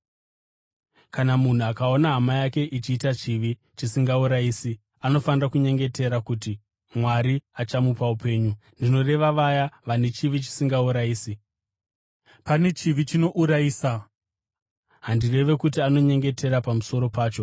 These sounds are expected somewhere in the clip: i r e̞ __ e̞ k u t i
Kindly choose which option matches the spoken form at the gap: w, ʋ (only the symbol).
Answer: ʋ